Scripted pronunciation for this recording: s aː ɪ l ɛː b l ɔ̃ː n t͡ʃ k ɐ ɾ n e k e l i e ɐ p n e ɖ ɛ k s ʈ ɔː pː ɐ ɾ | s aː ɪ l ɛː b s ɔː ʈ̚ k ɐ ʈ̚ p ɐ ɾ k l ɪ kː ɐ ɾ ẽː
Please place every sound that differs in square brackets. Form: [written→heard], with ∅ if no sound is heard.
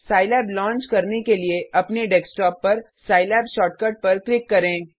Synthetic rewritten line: s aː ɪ l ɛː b l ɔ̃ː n t͡ʃ k ɐ ɾ n e k e l i e ɐ p n e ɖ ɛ k s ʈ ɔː pː ɐ ɾ | s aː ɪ l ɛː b [s→ʃ] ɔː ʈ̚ k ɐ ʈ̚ p ɐ ɾ k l ɪ kː ɐ ɾ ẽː